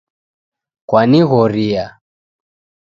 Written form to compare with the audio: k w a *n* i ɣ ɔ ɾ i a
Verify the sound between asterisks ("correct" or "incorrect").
correct